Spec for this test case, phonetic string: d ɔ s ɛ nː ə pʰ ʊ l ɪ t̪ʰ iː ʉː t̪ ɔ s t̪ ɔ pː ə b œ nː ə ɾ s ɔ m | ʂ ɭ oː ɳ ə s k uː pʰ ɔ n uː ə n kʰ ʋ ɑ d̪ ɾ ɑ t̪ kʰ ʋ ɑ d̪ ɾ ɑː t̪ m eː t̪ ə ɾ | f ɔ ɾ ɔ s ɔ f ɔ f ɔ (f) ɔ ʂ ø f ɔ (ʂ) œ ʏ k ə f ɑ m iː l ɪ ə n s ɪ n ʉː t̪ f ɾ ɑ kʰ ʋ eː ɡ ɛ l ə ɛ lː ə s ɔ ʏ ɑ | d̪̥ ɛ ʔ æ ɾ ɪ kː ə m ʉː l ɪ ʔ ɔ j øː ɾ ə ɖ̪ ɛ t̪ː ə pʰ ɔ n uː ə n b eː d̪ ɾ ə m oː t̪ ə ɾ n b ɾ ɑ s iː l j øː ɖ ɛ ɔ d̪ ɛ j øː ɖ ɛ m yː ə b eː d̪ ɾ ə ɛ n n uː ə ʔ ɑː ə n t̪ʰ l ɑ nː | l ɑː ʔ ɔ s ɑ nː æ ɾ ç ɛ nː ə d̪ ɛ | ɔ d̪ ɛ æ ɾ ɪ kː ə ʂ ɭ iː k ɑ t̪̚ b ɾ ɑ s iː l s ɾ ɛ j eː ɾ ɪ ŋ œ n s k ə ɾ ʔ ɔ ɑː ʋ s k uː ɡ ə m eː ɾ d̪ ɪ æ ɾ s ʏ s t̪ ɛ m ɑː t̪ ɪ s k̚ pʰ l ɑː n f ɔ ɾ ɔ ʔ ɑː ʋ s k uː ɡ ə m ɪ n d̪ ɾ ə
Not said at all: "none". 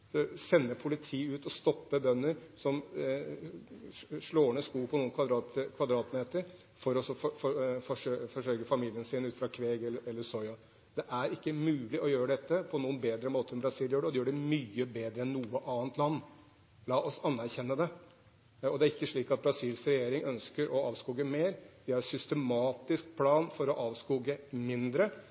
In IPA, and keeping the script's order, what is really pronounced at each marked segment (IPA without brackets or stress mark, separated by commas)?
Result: f, ʂ